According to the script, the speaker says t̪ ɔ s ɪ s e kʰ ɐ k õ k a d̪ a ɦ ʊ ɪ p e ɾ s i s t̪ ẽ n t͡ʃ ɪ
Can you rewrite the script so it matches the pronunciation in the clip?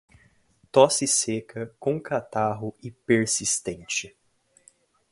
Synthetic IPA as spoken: t̪ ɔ s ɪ s e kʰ ɐ k õ k a t̪ a ɦ ʊ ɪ p e ɾ s i s t̪ ẽ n t͡ʃ ɪ

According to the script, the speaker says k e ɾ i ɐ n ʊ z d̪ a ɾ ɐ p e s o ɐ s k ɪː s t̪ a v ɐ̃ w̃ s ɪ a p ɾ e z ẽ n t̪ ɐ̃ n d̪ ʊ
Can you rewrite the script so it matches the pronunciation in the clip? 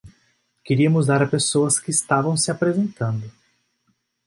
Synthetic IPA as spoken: k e ɾ i ɐ m ʊ z d̪ a ɾ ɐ p e s o ɐ s k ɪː s t̪ a v ɐ̃ w̃ s ɪ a p ɾ e z ẽ n t̪ ɐ̃ n d̪ ʊ

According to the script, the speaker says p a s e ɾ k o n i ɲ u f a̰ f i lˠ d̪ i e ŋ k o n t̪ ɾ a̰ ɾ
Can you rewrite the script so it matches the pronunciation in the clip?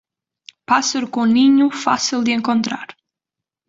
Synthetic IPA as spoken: p a s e ɾ k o n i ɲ u f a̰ s i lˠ d̪ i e ŋ k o n t̪ ɾ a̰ ɾ

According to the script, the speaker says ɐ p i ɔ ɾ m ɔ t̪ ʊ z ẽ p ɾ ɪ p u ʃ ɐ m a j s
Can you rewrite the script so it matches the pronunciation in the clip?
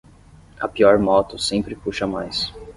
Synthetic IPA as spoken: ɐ p i ɔ ɾ m ɔ t̪ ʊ s ẽ p ɾ ɪ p u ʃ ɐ m a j s

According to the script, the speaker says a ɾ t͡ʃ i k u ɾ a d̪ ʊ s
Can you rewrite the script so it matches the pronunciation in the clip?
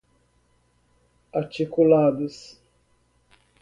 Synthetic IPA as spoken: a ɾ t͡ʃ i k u l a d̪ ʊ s

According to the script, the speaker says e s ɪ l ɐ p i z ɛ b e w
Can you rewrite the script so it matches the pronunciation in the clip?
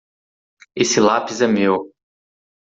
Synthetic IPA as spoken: e s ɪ l a p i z ɛ m e w

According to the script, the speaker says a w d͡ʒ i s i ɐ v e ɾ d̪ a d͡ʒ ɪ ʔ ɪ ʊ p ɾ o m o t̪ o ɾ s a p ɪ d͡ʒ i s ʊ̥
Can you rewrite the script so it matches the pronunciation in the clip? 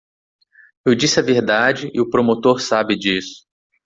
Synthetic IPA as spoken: e w d͡ʒ i s ɪ ɐ v e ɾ d̪ a d͡ʒ ɪ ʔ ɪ ʊ p ɾ o m o t̪ o ɾ s a b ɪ d͡ʒ i s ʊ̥

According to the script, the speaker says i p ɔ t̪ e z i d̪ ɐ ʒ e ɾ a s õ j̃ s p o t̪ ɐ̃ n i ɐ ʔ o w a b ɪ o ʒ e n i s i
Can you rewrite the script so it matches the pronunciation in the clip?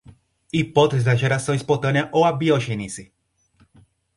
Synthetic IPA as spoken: i p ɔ t̪ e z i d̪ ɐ ʒ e ɾ a s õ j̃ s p o t̪ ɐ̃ n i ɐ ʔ o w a b i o ʒ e n i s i

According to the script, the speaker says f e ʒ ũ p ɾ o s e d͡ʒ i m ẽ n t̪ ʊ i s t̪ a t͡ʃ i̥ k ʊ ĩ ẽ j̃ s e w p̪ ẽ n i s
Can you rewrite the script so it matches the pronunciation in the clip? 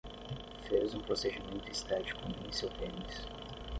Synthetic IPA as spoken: f e z ũ p ɾ o s e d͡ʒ i m ẽ n t̪ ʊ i s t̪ a t͡ʃ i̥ k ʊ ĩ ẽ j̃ s e w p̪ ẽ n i s

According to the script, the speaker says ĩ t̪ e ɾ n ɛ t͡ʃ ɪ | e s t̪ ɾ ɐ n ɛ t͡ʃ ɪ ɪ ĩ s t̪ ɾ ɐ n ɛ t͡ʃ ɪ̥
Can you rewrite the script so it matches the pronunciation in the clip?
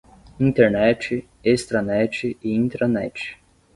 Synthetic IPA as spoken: ĩ t̪ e ɾ n ɛ t͡ʃ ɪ | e s t̪ ɾ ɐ n ɛ t͡ʃ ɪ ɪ ĩ t̪ ɾ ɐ n ɛ t͡ʃ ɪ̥

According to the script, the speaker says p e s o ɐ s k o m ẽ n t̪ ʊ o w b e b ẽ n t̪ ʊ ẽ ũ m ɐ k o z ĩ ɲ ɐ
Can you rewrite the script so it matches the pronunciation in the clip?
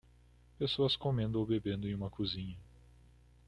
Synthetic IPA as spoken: p e s o ɐ s k o m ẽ n d̪ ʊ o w b e b ẽ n d̪ ʊ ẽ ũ m ɐ k u z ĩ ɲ ɐ

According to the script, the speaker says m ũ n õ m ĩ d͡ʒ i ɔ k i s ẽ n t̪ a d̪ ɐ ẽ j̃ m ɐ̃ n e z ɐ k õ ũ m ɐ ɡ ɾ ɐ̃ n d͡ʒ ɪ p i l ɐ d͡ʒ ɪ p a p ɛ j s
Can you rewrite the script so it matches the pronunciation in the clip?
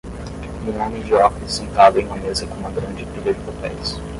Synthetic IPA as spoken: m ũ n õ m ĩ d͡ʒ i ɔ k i s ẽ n t̪ a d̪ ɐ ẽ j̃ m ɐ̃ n e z ɐ k õ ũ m ɐ ɡ ɾ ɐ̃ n d͡ʒ ɪ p i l ɐ d͡ʒ ɪ p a p ɛ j s

